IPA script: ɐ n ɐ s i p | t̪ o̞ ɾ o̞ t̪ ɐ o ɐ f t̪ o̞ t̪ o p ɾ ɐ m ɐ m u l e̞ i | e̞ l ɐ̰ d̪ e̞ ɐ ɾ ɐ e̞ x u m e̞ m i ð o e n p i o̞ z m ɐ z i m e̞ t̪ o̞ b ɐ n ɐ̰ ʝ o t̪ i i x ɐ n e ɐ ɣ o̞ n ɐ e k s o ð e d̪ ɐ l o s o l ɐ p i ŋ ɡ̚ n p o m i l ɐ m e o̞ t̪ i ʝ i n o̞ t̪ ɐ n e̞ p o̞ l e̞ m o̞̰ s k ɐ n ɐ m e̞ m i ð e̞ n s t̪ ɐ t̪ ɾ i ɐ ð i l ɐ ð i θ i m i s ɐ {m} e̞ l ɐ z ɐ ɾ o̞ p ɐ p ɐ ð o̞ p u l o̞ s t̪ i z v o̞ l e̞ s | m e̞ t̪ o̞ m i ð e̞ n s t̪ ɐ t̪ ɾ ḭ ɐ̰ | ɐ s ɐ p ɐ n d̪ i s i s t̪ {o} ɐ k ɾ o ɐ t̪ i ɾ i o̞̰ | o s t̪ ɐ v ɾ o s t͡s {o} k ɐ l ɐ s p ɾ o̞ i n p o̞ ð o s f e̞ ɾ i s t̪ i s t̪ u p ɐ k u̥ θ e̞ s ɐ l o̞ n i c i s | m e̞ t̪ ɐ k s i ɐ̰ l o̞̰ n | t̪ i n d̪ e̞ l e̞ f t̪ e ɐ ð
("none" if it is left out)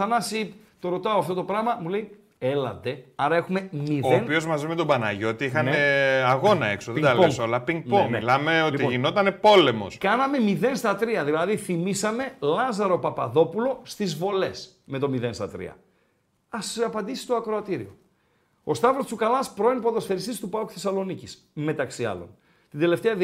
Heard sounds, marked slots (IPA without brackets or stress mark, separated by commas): m, o, u